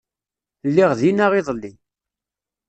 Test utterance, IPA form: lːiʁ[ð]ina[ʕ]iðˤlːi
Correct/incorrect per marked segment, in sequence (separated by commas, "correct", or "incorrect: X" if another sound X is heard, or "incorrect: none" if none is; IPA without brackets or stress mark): correct, incorrect: ʁ